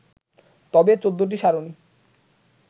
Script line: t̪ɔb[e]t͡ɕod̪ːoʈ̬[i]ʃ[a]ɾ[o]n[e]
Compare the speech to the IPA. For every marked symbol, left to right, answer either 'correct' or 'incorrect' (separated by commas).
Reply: correct, correct, correct, correct, incorrect